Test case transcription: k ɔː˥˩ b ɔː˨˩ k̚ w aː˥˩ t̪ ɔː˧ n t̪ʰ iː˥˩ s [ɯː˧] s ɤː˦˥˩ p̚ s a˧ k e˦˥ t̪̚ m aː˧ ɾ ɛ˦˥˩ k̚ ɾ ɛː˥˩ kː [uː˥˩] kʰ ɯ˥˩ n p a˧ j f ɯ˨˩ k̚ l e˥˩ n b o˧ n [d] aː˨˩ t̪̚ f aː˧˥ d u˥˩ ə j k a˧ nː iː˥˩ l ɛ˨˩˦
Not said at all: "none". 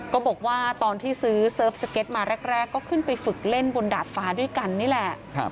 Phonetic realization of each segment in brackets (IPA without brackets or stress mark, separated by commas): ɯː˦˥, ɔː˥˩, d